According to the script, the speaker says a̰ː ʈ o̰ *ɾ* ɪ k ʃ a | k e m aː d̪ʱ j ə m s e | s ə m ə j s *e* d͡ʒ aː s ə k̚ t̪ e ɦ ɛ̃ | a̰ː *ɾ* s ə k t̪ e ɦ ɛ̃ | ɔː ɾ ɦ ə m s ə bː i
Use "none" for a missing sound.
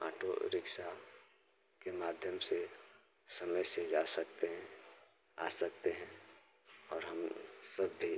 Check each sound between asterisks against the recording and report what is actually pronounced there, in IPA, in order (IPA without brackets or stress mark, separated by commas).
ɾ, e, none